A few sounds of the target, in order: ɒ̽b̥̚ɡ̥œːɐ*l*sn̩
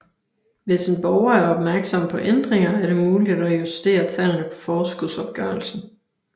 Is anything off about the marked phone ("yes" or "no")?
no